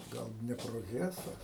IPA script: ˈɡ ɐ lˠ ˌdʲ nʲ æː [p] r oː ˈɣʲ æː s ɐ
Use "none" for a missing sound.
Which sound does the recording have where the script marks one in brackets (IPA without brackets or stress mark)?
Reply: p